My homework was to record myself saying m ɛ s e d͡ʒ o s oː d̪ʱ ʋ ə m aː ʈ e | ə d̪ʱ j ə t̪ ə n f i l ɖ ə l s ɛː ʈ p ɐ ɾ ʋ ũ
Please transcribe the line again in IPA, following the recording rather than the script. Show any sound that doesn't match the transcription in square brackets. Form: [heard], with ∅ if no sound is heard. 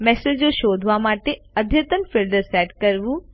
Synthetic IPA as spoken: m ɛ s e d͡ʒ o [ʃ] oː d̪ʱ ʋ [a] m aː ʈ e | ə d̪ʱ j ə t̪ ə n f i l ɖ ə [ɾ] s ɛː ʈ [k] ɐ ɾ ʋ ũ